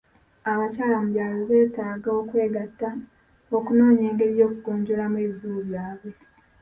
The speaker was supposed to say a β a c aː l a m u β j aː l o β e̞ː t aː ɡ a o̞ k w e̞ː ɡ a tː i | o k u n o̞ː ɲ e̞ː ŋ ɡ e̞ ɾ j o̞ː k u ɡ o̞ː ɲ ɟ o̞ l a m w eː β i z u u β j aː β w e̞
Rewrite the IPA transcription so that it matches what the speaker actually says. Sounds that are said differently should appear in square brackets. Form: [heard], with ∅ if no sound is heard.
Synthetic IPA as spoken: a β a c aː l a m u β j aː l o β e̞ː t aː ɡ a o̞ k w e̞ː ɡ a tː [a] | o k u n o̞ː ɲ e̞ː ŋ ɡ e̞ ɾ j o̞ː k u ɡ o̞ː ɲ ɟ o̞ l a m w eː β i z u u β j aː β w e̞